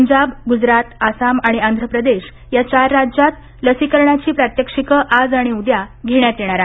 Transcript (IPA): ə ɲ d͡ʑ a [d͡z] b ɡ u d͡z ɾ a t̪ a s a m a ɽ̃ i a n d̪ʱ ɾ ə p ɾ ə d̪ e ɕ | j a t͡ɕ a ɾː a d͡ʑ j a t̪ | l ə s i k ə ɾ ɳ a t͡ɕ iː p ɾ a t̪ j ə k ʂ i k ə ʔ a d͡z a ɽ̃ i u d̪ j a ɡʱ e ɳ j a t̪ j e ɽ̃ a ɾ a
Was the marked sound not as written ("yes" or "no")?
yes